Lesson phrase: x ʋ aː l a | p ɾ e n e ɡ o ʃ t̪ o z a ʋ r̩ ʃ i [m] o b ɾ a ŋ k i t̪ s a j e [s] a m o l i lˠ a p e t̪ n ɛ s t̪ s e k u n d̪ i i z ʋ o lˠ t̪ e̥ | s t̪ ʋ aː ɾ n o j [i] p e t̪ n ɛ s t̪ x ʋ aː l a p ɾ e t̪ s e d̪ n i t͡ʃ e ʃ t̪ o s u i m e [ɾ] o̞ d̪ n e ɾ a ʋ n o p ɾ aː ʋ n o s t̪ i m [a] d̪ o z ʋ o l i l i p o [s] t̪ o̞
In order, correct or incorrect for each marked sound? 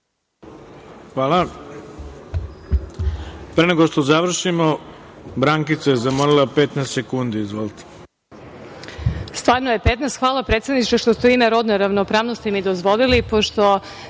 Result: correct, incorrect: z, incorrect: e, correct, incorrect: i, incorrect: ʃ

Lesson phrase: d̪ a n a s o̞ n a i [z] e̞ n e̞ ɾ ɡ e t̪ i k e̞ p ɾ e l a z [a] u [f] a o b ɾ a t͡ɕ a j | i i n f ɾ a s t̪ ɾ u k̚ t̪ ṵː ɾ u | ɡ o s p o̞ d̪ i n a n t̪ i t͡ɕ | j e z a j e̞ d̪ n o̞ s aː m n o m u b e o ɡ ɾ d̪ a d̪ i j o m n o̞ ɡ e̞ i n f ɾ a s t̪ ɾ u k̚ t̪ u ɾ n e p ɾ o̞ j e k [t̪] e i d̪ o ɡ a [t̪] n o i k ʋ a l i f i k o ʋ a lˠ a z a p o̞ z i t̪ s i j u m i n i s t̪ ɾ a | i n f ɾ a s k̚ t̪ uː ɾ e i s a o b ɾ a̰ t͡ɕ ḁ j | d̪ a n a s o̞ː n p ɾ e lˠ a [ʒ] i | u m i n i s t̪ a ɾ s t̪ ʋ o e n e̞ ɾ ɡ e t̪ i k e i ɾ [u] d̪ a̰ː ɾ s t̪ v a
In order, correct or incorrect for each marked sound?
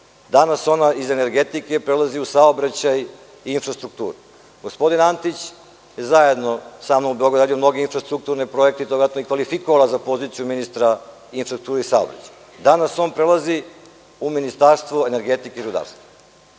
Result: correct, incorrect: i, incorrect: s, correct, correct, incorrect: z, correct

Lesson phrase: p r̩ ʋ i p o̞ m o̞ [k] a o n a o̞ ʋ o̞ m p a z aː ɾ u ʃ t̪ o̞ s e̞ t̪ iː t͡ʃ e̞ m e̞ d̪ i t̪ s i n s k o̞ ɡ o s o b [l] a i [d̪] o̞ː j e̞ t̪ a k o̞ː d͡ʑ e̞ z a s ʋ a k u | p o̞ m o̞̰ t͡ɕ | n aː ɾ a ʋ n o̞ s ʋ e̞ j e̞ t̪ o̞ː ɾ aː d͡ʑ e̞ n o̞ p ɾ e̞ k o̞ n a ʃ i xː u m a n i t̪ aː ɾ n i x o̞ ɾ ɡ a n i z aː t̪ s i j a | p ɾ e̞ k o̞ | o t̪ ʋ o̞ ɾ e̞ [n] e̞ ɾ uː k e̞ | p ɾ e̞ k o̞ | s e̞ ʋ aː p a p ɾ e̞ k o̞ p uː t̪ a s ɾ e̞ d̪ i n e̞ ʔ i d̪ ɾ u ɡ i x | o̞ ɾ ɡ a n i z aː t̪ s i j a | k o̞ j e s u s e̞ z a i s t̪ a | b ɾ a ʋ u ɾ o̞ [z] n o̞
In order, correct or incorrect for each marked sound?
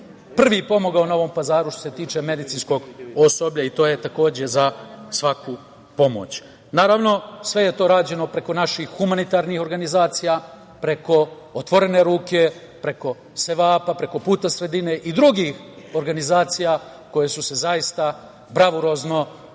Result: incorrect: ɡ, incorrect: ʎ, incorrect: t̪, correct, correct

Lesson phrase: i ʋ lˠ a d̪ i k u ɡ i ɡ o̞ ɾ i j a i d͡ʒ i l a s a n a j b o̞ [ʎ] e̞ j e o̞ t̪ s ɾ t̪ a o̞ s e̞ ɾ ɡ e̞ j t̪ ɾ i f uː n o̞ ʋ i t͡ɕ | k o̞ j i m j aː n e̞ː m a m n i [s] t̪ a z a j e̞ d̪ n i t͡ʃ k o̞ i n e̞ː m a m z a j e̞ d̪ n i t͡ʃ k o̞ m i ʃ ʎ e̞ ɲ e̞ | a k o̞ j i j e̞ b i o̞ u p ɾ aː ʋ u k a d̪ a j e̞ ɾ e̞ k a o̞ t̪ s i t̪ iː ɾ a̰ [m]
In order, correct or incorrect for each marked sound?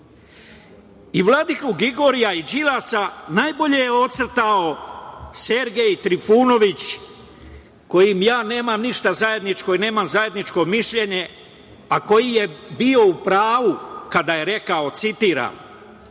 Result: correct, incorrect: ʃ, correct

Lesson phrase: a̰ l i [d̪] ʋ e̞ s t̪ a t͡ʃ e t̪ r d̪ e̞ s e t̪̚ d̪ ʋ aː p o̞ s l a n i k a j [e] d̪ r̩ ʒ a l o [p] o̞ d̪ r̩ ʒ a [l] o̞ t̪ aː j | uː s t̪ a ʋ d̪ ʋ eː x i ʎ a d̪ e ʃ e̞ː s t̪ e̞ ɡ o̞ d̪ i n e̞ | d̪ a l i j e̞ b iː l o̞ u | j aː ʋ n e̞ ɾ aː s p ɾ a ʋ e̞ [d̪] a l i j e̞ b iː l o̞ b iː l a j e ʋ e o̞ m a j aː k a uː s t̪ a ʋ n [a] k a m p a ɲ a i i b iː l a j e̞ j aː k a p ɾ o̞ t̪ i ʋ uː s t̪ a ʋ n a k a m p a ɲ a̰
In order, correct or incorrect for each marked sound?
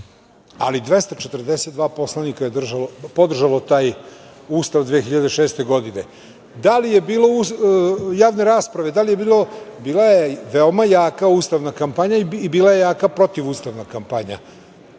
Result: correct, correct, correct, correct, correct, correct

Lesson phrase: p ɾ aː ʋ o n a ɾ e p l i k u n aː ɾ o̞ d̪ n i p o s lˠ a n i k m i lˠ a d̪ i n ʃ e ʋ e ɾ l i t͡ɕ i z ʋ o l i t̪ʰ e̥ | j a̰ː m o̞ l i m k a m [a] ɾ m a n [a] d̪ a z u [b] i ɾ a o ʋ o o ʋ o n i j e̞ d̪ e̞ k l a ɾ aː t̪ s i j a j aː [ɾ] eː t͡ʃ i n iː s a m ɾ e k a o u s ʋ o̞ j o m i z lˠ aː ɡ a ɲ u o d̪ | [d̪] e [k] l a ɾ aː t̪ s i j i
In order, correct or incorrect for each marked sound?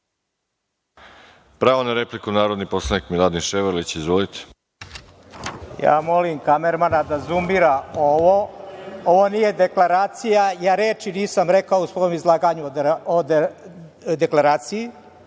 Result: incorrect: e, correct, incorrect: m, correct, correct, correct

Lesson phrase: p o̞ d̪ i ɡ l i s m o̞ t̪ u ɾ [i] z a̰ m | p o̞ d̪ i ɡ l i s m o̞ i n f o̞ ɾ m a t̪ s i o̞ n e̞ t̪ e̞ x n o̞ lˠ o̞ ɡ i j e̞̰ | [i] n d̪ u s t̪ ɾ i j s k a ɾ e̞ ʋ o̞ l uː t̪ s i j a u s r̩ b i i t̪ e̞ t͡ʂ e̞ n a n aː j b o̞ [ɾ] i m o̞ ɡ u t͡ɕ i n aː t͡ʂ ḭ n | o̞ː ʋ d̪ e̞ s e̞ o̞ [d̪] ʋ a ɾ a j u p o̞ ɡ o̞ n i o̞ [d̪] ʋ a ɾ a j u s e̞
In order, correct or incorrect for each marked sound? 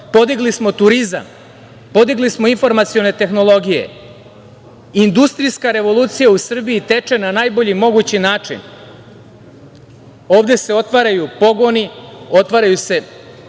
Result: correct, correct, incorrect: ʎ, incorrect: t̪, incorrect: t̪

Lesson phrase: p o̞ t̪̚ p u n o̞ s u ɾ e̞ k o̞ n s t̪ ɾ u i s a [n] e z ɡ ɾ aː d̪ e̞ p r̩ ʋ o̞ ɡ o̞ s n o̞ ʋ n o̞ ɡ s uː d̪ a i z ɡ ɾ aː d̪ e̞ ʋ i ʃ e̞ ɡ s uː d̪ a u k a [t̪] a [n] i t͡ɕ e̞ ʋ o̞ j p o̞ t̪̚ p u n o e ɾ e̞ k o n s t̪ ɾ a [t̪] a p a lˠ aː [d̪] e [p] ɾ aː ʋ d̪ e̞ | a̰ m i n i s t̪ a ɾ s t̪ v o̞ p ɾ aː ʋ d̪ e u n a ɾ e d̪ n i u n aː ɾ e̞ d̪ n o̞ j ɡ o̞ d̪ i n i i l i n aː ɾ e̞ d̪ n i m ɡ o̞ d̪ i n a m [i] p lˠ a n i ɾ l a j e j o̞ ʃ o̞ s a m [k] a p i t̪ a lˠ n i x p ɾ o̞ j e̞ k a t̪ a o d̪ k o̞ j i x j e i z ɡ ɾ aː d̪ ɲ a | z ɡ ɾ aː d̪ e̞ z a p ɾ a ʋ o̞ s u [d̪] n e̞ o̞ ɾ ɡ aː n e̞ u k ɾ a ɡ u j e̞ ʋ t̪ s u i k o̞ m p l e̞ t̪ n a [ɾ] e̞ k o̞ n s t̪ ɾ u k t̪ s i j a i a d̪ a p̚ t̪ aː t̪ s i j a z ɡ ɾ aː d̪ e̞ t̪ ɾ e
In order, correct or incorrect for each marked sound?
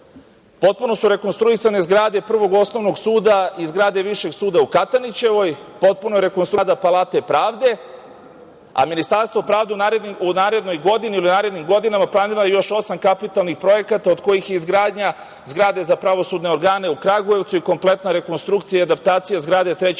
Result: correct, correct, correct, incorrect: d̪, incorrect: t̪, correct, incorrect: a, correct, correct, correct

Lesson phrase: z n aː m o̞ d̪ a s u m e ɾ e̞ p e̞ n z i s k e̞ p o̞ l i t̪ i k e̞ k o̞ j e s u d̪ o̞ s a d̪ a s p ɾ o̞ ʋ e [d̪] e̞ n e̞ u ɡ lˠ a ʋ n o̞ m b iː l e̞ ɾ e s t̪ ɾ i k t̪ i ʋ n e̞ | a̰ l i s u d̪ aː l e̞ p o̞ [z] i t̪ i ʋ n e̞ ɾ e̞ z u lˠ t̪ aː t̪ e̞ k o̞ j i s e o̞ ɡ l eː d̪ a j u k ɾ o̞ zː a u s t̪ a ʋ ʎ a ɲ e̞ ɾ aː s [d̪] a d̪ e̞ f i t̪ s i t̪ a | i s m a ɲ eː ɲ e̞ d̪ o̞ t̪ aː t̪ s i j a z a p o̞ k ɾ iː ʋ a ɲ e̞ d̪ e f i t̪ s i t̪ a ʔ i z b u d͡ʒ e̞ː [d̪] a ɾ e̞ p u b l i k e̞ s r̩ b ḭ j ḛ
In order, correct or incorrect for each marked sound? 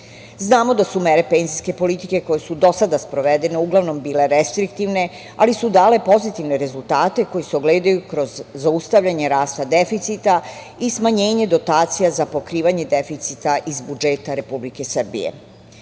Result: correct, correct, incorrect: t̪, incorrect: t̪

